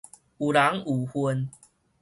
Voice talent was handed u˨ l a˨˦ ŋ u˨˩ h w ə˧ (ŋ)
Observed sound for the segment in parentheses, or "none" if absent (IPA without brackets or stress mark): n